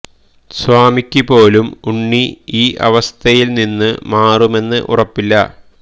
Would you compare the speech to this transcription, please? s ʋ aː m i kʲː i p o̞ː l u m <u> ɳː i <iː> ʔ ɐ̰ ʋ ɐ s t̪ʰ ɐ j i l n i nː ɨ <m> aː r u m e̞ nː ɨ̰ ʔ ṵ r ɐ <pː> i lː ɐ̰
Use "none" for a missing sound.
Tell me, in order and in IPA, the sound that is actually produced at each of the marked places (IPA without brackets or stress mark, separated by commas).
u, iː, m, pː